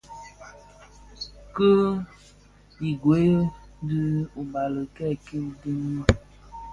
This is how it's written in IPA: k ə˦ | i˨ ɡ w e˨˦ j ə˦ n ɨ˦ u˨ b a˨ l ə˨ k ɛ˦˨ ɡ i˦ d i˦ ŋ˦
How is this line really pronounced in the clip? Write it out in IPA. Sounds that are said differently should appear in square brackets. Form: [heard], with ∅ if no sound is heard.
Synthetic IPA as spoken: k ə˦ | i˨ ɡ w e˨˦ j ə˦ [d] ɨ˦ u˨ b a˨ l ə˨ k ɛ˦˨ [k] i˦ d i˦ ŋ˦

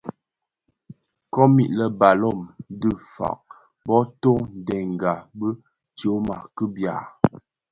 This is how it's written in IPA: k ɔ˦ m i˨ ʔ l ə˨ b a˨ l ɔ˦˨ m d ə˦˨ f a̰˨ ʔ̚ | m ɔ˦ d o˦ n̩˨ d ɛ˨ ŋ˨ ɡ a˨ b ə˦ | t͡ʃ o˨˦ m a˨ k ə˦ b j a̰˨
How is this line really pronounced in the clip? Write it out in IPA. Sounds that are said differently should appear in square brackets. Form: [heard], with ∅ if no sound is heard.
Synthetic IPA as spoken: k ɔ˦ m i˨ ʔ l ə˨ b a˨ l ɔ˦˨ m d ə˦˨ f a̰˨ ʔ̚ | [b] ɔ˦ [t] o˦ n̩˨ d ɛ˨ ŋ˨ ɡ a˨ b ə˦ | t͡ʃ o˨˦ m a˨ k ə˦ b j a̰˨

